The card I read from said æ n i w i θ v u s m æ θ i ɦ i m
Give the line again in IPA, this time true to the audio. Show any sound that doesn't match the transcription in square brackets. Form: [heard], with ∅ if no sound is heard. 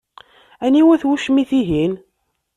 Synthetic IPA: æ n i w [æ] θ [w] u [ʃ] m [i] θ i ɦ i [n]